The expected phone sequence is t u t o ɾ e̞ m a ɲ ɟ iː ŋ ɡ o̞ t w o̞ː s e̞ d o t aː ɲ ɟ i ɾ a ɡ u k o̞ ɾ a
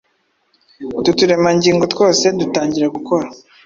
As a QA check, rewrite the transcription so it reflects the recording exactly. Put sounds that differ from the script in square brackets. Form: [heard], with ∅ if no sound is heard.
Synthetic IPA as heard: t u t [u] ɾ e̞ m a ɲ ɟ iː ŋ ɡ o̞ t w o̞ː s e̞ d [u] t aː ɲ ɟ i ɾ a ɡ u k o̞ ɾ a